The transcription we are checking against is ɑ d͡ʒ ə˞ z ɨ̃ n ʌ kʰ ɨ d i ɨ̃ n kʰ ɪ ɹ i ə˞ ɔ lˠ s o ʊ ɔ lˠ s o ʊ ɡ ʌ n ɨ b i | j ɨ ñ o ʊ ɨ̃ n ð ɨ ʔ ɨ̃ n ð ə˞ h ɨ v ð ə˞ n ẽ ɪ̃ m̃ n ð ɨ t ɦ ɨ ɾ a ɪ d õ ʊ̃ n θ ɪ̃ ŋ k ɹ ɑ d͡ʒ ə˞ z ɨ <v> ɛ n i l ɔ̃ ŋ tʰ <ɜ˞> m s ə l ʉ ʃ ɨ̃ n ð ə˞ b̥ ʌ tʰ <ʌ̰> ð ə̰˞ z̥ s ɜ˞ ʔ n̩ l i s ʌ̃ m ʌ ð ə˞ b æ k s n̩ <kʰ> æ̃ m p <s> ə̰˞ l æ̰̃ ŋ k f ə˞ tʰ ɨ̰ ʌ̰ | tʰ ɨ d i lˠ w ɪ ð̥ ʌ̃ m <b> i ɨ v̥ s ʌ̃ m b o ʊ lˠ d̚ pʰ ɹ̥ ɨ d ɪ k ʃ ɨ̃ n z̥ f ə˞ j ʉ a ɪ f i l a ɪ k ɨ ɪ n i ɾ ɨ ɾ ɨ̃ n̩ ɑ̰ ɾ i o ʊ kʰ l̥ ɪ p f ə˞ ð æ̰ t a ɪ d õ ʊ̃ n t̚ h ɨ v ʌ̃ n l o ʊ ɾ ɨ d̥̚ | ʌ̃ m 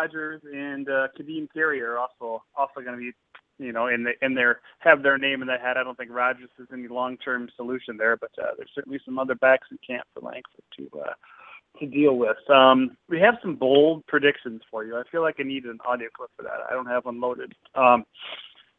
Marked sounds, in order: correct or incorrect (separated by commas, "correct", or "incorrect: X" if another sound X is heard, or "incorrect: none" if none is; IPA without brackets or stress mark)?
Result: incorrect: z, incorrect: ɜ̃˞, correct, correct, incorrect: f, incorrect: w